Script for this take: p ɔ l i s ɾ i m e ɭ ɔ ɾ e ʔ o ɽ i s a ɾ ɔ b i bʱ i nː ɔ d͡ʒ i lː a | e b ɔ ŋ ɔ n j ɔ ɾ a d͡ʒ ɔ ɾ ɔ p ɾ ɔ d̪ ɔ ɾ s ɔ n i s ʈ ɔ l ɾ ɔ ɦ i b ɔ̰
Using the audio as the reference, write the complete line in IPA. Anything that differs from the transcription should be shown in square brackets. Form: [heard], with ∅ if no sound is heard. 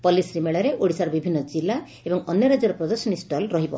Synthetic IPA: p ɔ l i s ɾ i m e ɭ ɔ ɾ e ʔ o ɽ i s a ɾ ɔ b i bʱ i nː ɔ d͡ʒ i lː a | e b ɔ ŋ ɔ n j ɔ ɾ a d͡ʒ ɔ ɾ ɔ p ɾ ɔ d̪ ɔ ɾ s ɔ n i s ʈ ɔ l ɾ ɔ ɦ i b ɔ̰